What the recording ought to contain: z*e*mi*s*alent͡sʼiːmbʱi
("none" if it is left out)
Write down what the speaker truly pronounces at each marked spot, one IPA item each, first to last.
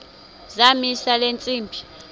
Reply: a, s

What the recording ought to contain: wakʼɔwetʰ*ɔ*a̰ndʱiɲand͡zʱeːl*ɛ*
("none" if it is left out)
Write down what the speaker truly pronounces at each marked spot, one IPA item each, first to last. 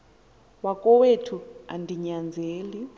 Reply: u, i

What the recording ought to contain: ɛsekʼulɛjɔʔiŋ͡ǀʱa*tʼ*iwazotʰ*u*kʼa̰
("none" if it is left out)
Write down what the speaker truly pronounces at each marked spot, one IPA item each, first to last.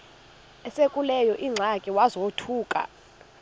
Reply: kʼ, uː

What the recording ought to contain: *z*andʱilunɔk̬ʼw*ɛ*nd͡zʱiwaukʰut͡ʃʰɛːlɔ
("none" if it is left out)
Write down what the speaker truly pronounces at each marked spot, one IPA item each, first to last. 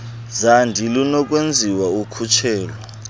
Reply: z, e

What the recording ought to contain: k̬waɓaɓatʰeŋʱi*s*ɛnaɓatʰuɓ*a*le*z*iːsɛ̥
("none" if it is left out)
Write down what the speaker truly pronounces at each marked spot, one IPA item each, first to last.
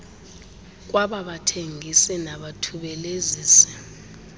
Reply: s, ɛ, z

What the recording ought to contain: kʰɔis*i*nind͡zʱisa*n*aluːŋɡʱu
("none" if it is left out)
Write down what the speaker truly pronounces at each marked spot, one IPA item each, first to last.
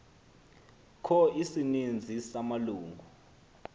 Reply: i, m

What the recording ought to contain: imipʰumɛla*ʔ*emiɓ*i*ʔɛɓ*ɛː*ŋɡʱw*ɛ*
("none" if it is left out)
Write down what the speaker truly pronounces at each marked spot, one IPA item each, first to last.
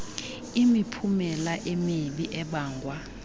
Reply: ʔ, i, aː, a

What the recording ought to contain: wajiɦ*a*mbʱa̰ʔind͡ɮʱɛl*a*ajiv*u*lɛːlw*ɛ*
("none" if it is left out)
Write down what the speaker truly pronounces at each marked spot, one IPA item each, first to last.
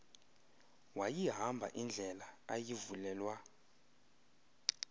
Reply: a, a, u, a

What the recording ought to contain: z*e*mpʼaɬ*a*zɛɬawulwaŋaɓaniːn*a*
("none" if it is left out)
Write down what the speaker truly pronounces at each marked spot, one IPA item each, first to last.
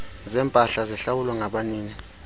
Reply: ɛ, a, i

